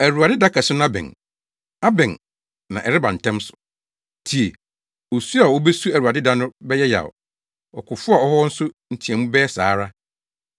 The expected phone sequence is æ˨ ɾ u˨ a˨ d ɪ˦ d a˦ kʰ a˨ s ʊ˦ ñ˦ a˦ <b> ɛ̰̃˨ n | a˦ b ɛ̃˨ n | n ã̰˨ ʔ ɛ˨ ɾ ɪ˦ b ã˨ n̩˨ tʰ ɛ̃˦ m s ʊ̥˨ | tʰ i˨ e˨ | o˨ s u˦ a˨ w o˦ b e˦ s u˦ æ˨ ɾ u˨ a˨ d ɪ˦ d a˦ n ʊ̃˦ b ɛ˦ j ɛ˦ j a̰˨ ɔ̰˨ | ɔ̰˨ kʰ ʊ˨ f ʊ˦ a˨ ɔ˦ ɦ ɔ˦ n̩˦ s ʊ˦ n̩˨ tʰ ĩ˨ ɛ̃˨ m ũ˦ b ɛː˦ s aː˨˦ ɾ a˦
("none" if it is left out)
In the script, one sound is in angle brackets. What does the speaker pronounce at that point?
b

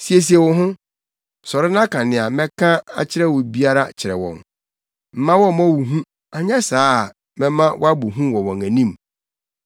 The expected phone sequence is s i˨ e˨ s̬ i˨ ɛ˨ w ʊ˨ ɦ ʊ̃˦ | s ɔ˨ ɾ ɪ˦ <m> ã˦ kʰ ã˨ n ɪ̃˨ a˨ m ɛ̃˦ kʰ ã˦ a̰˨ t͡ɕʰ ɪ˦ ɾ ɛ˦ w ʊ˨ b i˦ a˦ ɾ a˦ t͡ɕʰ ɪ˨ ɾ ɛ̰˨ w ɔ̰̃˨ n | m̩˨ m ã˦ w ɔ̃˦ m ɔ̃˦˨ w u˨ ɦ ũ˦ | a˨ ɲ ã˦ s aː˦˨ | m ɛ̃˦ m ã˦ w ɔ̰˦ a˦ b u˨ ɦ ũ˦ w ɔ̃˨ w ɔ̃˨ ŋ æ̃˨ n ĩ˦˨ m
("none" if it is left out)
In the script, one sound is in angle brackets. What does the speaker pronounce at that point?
n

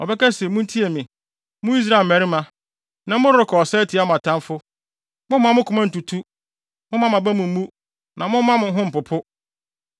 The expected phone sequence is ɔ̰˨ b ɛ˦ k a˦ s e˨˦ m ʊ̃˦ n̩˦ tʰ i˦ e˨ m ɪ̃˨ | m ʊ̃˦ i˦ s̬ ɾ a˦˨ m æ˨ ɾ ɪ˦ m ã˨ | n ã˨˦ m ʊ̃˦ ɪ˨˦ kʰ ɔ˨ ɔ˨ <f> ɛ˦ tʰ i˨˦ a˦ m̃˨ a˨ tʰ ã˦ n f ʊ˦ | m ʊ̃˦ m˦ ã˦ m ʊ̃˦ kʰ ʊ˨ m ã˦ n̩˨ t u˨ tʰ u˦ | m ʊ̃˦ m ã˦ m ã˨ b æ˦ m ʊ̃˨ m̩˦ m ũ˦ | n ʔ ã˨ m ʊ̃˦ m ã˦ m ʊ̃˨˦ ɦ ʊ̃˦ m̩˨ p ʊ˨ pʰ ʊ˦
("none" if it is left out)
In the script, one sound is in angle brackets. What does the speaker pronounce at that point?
s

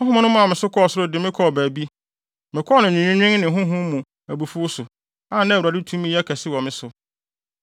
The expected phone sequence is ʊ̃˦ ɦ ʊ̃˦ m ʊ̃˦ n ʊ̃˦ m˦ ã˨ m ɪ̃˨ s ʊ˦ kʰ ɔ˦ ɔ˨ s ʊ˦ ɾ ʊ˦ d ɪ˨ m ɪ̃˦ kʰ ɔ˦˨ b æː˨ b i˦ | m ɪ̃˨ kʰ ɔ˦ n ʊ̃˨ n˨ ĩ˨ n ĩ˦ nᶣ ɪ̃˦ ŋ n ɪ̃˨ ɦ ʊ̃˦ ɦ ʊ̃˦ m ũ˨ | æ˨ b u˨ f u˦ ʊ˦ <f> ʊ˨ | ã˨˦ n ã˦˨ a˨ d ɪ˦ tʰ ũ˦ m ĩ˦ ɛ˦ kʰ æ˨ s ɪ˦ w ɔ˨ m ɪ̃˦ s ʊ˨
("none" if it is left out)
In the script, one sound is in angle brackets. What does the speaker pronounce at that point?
s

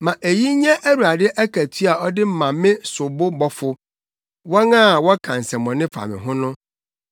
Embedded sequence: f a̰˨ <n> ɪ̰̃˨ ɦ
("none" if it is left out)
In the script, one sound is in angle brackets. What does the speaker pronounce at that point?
m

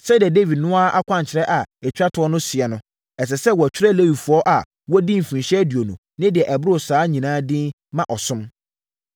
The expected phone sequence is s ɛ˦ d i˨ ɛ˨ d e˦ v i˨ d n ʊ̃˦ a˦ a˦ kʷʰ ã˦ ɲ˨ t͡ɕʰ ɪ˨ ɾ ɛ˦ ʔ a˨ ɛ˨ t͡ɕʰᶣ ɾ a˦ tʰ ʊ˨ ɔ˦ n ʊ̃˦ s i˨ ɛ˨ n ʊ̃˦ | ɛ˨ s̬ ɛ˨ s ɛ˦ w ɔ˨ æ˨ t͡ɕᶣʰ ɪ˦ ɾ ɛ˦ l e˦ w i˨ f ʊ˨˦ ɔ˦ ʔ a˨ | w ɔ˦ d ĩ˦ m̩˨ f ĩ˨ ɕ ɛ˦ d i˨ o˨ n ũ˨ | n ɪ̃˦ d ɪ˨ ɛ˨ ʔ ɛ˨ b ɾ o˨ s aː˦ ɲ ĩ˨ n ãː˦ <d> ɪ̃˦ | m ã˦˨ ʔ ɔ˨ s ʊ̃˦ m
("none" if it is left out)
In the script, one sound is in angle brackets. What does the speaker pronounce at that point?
d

